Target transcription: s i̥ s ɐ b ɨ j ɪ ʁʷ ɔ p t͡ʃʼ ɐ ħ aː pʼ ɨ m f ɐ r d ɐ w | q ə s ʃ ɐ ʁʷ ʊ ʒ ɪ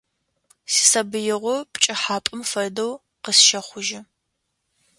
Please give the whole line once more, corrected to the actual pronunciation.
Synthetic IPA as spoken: s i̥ s ɐ b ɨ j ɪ ʁʷ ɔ p t͡ʃʼ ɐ ħ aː pʼ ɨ m f ɐ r d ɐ w | q ə s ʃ ɐ χʷ ʊ ʒ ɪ